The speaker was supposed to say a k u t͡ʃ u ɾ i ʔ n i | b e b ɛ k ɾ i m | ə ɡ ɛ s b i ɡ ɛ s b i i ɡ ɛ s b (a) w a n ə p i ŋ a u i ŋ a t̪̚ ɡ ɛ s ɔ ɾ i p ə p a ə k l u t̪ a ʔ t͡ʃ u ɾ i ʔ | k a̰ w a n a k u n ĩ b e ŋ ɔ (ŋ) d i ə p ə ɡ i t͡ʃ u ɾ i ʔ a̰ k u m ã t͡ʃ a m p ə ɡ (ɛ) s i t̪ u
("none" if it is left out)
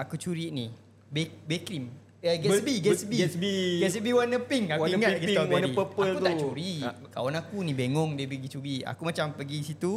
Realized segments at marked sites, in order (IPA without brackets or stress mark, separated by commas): i, ŋ, i